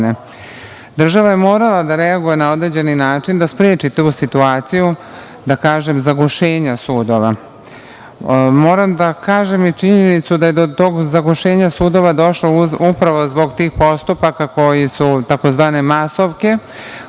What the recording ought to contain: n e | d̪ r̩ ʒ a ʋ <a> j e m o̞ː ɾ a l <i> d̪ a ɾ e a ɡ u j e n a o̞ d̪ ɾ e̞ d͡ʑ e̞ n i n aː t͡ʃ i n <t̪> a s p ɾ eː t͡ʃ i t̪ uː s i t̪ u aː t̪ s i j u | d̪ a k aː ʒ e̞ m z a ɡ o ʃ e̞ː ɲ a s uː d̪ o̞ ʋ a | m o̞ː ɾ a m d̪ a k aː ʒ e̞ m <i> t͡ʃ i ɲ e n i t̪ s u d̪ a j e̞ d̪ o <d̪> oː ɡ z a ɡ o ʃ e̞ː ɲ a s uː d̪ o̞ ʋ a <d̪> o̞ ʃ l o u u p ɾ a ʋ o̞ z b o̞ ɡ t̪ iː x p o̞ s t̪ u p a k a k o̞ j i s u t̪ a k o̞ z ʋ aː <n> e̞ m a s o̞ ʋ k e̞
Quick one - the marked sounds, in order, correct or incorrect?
correct, incorrect: a, incorrect: d̪, correct, incorrect: t̪, correct, correct

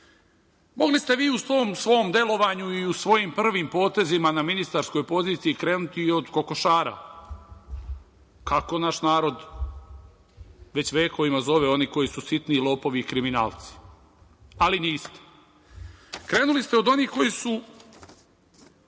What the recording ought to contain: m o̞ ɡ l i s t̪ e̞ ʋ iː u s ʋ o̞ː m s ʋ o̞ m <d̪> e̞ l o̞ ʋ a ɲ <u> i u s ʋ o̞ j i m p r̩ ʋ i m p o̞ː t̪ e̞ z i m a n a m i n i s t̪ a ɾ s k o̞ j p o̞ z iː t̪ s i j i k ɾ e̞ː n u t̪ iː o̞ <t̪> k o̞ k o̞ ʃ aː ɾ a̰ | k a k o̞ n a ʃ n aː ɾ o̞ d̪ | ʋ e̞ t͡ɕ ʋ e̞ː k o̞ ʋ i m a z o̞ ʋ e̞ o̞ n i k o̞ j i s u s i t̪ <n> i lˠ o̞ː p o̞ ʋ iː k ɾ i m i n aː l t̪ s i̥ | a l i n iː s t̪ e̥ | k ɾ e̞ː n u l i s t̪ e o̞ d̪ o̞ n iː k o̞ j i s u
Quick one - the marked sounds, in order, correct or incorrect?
correct, correct, incorrect: d̪, correct

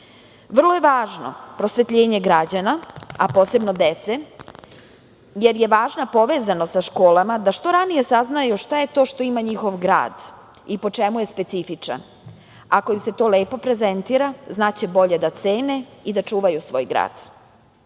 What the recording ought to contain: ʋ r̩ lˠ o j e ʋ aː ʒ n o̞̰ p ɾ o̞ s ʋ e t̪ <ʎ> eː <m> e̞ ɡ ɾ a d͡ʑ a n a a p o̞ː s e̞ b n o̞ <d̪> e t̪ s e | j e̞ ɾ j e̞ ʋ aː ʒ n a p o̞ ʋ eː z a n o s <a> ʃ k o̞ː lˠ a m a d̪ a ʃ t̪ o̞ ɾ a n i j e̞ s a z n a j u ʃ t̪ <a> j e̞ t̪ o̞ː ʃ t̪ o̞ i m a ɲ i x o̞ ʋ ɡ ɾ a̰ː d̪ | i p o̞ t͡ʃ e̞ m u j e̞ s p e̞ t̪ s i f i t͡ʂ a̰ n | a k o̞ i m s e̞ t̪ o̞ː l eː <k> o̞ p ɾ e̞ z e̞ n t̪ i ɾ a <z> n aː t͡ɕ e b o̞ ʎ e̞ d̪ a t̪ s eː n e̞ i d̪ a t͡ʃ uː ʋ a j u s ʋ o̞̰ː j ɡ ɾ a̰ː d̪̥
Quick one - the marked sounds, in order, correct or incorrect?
correct, incorrect: ɲ, correct, correct, correct, incorrect: p, correct

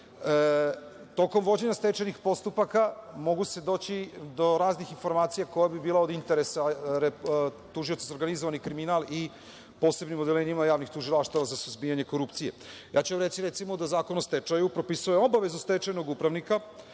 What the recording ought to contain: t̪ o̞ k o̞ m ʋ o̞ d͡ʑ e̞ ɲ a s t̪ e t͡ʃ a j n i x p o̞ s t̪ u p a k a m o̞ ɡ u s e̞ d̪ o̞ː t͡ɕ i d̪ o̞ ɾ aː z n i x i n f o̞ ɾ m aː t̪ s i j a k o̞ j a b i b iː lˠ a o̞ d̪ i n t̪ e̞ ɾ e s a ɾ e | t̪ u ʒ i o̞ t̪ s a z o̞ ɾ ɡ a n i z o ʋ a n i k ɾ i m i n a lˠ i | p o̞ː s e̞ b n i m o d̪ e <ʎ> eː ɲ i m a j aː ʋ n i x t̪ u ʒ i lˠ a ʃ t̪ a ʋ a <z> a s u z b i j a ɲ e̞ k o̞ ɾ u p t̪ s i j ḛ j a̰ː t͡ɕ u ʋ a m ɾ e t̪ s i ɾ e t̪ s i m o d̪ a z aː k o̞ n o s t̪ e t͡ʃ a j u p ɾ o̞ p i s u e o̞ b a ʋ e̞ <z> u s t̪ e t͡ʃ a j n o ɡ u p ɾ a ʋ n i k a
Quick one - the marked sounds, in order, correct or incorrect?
incorrect: l, correct, correct

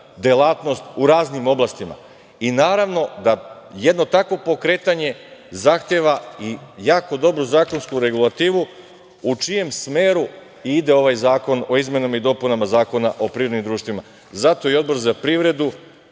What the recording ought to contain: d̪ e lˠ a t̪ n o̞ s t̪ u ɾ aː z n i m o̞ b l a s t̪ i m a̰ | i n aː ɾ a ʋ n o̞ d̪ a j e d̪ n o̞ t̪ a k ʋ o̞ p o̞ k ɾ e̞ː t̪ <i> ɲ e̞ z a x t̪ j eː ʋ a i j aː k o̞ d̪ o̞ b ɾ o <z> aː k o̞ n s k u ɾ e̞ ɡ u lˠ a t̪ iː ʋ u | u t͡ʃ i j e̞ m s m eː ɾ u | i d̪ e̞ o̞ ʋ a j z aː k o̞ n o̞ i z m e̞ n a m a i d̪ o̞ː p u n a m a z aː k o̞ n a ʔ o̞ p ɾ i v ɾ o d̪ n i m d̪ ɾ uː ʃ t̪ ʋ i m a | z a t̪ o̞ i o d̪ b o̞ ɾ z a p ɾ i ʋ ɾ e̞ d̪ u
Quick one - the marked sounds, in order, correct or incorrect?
incorrect: a, correct

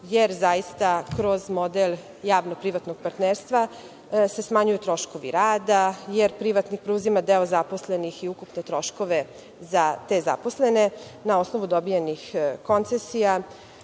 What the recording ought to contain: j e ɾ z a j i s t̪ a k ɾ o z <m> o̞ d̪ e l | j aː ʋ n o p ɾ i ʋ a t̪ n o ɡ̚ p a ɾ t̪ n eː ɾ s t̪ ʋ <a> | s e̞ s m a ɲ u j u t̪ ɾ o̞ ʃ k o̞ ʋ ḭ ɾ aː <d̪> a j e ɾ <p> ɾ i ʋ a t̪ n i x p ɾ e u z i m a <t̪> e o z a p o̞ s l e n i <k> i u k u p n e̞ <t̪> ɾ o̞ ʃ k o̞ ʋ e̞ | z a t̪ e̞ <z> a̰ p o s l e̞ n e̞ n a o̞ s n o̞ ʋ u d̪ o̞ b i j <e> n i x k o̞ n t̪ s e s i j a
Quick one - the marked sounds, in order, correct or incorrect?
correct, correct, correct, correct, incorrect: d̪, incorrect: x, correct, correct, correct

